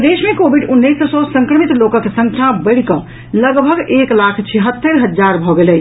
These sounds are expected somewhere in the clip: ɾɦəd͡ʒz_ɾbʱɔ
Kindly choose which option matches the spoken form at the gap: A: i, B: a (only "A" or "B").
B